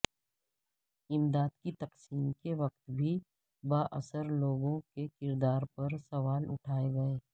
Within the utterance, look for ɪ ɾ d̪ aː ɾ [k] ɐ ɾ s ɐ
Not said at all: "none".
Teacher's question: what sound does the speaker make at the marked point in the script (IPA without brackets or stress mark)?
p